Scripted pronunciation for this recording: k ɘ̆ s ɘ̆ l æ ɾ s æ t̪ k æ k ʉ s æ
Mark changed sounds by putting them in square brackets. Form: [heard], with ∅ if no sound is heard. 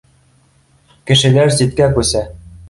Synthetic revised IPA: k ɘ̆ [ʃ] ɘ̆ l æ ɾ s [i] t̪ k æ k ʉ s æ